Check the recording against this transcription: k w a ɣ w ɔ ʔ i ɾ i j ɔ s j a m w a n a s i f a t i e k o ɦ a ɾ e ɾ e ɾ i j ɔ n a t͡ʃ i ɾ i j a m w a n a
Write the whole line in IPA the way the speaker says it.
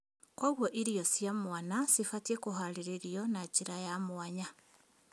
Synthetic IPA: k w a ɣ w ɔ ʔ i ɾ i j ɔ s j a m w a n a s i f a t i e k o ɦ a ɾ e ɾ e ɾ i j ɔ n a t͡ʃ i ɾ a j a m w a ɲ a

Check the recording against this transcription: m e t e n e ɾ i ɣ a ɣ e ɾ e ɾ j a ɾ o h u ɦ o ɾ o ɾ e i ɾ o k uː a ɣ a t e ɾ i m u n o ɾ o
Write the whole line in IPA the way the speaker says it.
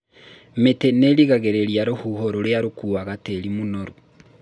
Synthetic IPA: m e t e n e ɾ i ɣ a ɣ e ɾ e ɾ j a ɾ o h u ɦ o ɾ o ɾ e a ɾ o k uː a ɣ a t e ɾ i m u n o ɾ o

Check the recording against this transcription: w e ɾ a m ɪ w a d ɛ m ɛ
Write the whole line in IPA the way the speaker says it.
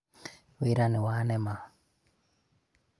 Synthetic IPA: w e ɾ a n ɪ w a n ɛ m a

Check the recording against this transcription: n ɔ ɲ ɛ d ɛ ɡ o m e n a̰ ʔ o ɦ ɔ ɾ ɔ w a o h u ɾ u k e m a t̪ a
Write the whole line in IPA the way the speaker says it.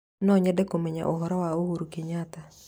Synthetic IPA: n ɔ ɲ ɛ d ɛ k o m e ɲ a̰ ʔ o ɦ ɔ ɾ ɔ w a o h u ɾ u k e ɲ a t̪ a

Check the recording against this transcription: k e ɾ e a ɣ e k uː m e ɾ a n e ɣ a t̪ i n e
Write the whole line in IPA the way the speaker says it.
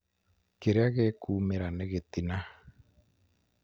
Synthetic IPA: k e ɾ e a ɣ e k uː m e ɾ a n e ɣ e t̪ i n a

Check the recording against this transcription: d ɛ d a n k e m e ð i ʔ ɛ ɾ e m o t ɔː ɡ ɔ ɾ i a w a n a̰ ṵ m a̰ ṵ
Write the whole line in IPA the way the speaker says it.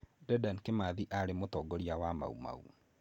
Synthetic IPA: d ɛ d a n k e m a ð i ʔ a ɾ e m o t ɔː ɡ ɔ ɾ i a w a m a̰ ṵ m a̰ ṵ

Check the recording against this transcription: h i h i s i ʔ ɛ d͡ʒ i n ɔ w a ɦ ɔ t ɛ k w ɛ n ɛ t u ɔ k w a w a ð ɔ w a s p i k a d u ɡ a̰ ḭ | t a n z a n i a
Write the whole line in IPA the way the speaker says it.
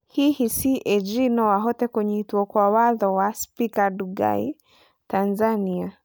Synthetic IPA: h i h i s i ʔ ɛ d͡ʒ i n ɔ w a ɦ ɔ t ɛ k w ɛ ɲ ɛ t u ɔ k w a w a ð ɔ w a s p i k a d u ɡ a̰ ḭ | t a n z a n i a

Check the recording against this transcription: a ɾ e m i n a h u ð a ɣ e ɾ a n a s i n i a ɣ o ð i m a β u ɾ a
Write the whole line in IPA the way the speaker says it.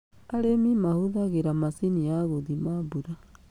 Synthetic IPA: a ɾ e m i m a h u ð a ɣ e ɾ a m a s i n i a ɣ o ð i m a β u ɾ a

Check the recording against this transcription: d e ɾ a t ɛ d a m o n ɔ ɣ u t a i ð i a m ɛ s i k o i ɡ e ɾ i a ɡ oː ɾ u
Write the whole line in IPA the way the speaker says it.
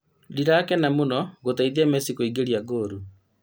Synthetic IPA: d i ɾ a k ɛ n a m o n ɔ ɣ o t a i ð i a m ɛ s i k o i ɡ e ɾ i a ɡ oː ɾ u

